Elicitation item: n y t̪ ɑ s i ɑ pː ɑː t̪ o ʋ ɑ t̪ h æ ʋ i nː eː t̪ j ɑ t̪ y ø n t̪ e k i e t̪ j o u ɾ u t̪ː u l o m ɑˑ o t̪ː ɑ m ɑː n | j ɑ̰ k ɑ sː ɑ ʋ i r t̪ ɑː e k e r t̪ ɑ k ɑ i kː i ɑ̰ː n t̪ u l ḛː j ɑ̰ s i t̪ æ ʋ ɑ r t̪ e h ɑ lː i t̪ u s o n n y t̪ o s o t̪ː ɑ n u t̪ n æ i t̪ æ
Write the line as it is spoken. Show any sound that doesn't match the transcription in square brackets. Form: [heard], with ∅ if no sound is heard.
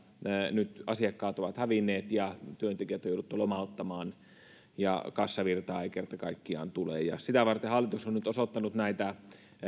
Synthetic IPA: n y t̪ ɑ s i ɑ [kː] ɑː t̪ o ʋ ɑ t̪ h æ ʋ i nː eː t̪ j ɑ t̪ y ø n t̪ e k i [æ] t̪ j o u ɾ u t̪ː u l o m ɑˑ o t̪ː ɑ m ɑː n | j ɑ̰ k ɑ sː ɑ ʋ i r t̪ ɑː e k e r t̪ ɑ k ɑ i kː i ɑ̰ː n t̪ u l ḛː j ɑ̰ s i t̪ æ ʋ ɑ r t̪ e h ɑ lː i t̪ u s o n n y t̪ o s o t̪ː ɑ n u t̪ n æ i t̪ æ